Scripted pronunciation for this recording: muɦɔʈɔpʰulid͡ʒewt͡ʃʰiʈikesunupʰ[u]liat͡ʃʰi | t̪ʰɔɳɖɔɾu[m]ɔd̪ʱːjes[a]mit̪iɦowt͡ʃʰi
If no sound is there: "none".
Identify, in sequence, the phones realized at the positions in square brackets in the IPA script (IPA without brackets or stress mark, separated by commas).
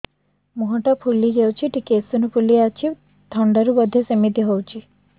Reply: u, b, e